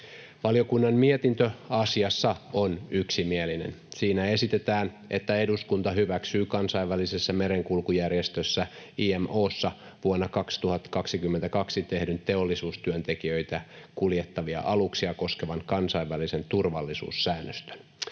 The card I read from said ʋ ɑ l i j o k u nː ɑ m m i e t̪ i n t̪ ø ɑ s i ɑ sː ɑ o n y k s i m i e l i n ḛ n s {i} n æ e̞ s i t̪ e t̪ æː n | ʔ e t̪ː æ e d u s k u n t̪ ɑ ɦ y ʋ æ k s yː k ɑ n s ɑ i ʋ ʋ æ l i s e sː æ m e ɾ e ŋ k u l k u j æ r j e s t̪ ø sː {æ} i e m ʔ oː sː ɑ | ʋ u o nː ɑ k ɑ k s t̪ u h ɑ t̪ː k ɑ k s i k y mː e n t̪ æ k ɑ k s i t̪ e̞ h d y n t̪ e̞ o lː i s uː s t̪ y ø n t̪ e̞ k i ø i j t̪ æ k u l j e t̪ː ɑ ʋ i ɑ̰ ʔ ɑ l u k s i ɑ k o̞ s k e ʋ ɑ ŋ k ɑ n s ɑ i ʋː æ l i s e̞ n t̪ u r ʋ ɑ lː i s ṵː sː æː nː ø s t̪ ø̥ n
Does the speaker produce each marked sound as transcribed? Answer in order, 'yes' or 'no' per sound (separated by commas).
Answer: no, yes